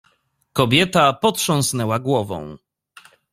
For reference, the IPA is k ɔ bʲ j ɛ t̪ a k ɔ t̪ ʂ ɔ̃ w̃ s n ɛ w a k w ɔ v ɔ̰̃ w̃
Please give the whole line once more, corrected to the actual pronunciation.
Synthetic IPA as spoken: k ɔ bʲ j ɛ t̪ a p ɔ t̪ ʂ ɔ̃ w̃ s n ɛ w a ɡ w ɔ v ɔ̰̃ w̃